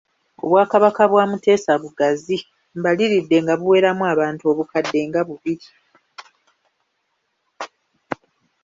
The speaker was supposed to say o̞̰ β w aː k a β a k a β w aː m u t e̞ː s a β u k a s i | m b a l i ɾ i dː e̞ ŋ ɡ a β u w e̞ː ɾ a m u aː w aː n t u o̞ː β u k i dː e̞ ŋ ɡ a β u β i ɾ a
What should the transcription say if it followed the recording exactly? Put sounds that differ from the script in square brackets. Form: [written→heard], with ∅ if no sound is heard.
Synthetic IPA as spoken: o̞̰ β w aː k a β a k a β w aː m u t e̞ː s a β u [k→ɡ] a [s→z] i | m b a l i ɾ i dː e̞ ŋ ɡ a β u w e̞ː ɾ a m u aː [w→β] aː n t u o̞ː β u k [i→a] dː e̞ ŋ ɡ a β u β i ɾ [a→i]